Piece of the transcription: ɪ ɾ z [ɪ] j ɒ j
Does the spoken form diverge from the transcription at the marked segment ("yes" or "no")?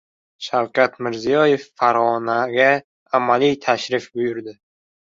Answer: yes